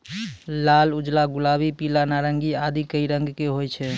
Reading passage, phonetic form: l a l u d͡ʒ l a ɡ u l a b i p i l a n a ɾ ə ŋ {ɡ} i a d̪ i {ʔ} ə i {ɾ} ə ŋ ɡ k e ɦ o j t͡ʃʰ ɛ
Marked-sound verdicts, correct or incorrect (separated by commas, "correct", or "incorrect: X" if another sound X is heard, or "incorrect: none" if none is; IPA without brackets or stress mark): correct, incorrect: k, correct